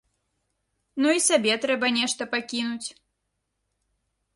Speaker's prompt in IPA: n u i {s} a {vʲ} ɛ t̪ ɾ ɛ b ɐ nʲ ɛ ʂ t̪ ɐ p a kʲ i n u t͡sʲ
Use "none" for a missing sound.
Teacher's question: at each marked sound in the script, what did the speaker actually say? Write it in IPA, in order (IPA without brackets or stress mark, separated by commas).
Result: s, bʲ